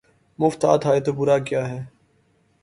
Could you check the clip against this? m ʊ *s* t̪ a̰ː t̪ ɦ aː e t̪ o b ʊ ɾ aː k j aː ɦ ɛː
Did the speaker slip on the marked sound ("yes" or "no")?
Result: yes